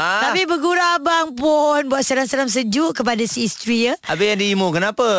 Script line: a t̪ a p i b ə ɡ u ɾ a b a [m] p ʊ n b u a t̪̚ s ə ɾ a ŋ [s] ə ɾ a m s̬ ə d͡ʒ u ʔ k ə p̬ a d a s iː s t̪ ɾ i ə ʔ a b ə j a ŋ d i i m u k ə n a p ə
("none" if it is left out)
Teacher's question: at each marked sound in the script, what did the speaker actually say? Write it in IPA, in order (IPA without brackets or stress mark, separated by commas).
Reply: ŋ, s